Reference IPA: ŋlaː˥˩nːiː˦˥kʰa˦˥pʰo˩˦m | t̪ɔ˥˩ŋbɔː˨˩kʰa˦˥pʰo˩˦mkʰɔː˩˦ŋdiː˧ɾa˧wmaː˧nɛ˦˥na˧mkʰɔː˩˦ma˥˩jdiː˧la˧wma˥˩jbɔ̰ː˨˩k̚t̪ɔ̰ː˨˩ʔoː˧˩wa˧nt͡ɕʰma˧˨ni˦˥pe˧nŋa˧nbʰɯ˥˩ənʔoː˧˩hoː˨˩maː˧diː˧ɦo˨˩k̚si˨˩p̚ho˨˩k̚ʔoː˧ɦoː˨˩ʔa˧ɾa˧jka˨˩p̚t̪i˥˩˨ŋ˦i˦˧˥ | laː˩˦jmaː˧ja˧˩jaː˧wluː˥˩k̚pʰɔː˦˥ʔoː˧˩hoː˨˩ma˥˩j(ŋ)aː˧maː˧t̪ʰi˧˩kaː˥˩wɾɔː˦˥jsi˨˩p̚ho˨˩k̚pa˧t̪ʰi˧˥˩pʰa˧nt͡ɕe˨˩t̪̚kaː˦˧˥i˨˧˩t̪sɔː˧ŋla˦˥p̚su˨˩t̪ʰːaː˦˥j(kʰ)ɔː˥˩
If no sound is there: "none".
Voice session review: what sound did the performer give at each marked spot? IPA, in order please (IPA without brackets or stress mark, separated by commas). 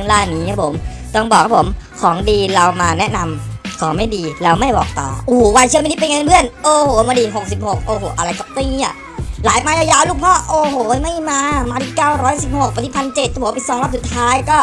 m, k